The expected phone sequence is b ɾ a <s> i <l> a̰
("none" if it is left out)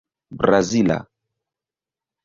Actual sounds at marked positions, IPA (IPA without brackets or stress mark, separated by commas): z, l